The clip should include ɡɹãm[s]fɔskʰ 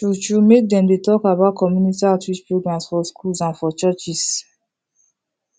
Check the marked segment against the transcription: correct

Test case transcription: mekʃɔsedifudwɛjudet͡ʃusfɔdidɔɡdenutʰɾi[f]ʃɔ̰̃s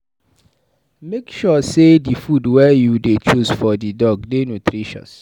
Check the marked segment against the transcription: incorrect: none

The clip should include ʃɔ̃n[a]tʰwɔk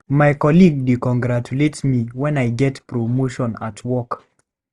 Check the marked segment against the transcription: correct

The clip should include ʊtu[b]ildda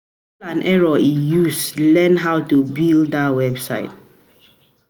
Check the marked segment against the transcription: correct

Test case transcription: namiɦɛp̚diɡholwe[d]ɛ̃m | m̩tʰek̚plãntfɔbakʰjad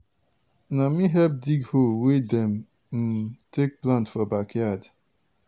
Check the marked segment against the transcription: correct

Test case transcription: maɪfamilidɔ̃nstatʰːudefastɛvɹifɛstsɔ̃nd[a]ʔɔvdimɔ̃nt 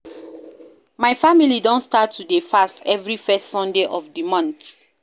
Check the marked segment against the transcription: incorrect: e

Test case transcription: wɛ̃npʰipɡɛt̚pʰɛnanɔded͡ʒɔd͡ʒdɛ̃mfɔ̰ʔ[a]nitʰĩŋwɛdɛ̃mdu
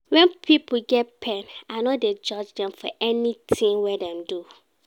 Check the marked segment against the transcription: incorrect: ɛ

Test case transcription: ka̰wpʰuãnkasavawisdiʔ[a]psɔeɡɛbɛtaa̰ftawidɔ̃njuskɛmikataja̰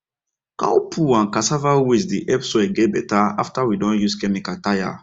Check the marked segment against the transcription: incorrect: ɛ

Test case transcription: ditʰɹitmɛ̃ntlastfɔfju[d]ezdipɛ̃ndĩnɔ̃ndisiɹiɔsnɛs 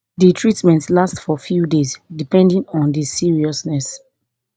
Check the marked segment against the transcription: correct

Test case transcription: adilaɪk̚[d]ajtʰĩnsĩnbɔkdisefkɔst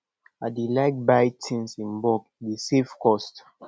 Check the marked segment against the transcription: incorrect: b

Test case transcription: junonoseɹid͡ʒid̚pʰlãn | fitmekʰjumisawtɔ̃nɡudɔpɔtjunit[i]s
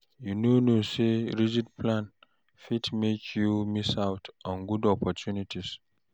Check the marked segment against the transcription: correct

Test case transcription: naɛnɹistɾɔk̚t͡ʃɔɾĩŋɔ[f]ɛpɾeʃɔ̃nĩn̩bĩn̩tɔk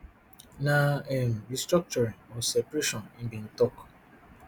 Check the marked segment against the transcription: incorrect: s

